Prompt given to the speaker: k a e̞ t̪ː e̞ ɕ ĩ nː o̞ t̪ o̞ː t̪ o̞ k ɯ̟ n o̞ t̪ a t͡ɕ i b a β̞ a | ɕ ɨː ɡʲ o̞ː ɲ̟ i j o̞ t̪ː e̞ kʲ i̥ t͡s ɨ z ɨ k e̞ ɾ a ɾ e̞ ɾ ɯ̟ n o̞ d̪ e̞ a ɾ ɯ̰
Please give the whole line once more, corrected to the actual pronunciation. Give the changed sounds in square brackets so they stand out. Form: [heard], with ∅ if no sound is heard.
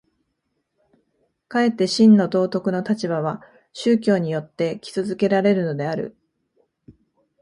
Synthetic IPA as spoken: k a e̞ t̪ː e̞ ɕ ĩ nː o̞ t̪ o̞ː t̪ o̞ k ɯ̟ n o̞ t̪ a t͡ɕ i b a β̞ a | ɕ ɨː [kʲ] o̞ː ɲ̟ i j o̞ t̪ː e̞ kʲ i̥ t͡s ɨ z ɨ k e̞ ɾ a ɾ e̞ ɾ ɯ̟ n o̞ d̪ e̞ a ɾ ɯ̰

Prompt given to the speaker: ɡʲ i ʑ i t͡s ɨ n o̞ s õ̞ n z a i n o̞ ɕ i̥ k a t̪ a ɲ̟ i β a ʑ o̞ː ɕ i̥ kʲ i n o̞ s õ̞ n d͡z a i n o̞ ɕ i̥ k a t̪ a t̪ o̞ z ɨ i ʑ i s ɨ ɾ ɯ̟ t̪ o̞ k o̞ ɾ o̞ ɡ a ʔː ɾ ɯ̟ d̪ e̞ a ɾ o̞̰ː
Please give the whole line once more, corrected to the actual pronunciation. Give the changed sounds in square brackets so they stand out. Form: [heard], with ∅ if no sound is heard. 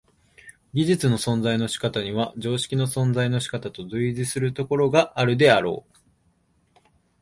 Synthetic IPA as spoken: ɡʲ i ʑ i t͡s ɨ n o̞ s õ̞ n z a i n o̞ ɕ i̥ k a t̪ a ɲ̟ i β a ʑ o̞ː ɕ i̥ kʲ i n o̞ s õ̞ n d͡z a i n o̞ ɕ i̥ k a t̪ a t̪ o̞ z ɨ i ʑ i s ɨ ɾ ɯ̟ t̪ o̞ k o̞ ɾ o̞ ɡ a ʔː ɾ ɯ̟ d̪ e̞ a ɾ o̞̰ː

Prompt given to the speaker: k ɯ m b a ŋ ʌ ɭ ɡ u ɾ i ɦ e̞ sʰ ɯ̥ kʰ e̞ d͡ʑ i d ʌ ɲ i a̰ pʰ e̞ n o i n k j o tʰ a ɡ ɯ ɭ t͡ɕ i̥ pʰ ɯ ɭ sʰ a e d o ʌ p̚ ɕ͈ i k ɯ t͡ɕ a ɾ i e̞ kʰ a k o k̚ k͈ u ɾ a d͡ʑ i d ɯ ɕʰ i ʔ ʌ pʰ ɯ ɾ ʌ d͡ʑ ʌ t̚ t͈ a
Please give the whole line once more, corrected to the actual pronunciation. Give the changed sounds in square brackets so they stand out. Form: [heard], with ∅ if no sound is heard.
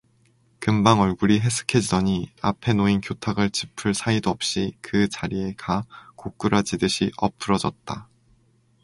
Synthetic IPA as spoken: k ɯ m b a ŋ ʌ ɭ ɡ u ɾ i ɦ e̞ sʰ ɯ̥ kʰ e̞ d͡ʑ i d ʌ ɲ i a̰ pʰ e̞ n o i n k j o tʰ a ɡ ɯ ɭ t͡ɕ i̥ pʰ ɯ ɭ sʰ a [i] d o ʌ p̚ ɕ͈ i k ɯ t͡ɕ a ɾ i e̞ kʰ a k o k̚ k͈ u ɾ a d͡ʑ i d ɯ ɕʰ i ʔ ʌ pʰ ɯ ɾ ʌ d͡ʑ ʌ t̚ t͈ a

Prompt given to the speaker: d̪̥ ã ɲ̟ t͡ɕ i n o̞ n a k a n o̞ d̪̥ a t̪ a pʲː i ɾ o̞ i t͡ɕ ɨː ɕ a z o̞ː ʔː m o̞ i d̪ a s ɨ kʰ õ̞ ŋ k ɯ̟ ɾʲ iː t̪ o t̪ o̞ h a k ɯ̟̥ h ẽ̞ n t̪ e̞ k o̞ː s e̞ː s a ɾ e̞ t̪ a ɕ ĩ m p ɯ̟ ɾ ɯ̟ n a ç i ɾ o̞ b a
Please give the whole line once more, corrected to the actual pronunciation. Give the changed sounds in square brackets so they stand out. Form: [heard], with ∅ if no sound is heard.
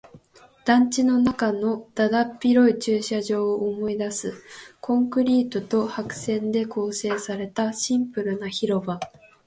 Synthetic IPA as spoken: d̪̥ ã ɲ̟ t͡ɕ i n o̞ n a k a n o̞ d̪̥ a [d̪] a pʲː i ɾ o̞ i t͡ɕ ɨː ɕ a [ʑ] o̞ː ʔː m o̞ i d̪ a s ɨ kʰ õ̞ ŋ k ɯ̟ ɾʲ iː t̪ o t̪ o̞ h a k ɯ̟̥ [s] ẽ̞ n [d̪] e̞ k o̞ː s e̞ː s a ɾ e̞ t̪ a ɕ ĩ m p ɯ̟ ɾ ɯ̟ n a ç i ɾ o̞ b a

